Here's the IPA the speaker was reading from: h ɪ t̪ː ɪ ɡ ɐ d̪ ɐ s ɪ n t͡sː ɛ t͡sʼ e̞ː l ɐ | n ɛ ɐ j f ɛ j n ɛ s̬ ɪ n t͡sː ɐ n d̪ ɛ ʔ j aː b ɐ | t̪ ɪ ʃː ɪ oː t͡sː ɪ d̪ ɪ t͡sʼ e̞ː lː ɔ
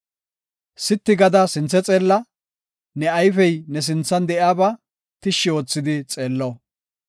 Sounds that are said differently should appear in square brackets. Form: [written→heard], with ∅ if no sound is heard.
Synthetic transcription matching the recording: [h→s] ɪ t̪ː ɪ ɡ ɐ d̪ ɐ s ɪ n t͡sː ɛ t͡sʼ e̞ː [l→lː] ɐ | n ɛ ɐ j f ɛ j n ɛ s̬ ɪ n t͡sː ɐ n d̪ ɛ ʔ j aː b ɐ | t̪ ɪ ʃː ɪ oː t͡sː ɪ d̪ ɪ t͡sʼ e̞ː lː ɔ